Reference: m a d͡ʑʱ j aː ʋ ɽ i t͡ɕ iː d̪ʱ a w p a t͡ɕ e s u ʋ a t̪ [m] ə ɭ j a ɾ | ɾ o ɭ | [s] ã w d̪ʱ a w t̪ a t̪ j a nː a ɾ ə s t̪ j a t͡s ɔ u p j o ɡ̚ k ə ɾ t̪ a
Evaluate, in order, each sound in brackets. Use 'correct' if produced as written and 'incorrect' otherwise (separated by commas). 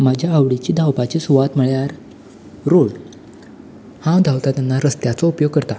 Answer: correct, incorrect